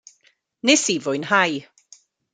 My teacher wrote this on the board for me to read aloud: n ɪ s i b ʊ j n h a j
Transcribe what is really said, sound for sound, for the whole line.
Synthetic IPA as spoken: n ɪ s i v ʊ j n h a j